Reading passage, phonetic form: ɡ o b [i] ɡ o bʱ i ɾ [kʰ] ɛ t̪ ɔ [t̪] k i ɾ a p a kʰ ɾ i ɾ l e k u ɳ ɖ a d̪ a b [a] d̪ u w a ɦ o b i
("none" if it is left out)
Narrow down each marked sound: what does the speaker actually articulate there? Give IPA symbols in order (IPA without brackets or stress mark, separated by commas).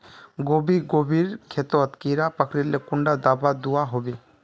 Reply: i, kʰ, t̪, a